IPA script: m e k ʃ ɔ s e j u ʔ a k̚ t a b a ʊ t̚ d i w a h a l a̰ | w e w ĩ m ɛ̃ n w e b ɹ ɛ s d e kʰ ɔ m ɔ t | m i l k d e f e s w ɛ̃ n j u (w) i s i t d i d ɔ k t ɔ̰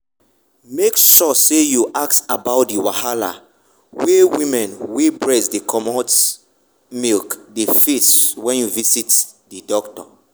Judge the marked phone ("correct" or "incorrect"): incorrect